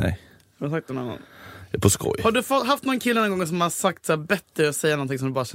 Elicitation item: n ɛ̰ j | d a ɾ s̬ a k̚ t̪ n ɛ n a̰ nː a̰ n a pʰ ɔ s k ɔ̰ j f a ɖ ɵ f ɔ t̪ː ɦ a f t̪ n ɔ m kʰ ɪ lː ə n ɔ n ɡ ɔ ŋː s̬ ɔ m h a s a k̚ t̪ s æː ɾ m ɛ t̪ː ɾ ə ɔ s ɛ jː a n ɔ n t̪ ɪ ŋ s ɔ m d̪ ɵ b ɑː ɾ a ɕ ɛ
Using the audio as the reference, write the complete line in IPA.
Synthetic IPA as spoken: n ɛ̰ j | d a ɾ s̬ a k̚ t̪ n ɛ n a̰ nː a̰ n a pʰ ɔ s k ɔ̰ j h a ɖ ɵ f ɔ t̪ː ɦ a f t̪ n ɔ n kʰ ɪ lː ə n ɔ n ɡ ɔ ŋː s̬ ɔ m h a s a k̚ t̪ s æː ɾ b ɛ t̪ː ɾ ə ɔ s ɛ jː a n ɔ n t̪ ɪ ŋ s ɔ m d̪ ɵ b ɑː ɾ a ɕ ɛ